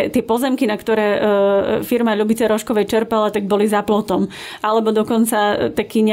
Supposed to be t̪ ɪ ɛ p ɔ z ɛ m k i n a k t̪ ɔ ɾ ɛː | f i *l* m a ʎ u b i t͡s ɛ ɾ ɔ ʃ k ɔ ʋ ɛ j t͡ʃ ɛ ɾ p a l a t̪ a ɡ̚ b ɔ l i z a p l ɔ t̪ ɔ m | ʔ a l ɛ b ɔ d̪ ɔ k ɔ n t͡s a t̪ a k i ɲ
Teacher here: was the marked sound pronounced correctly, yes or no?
no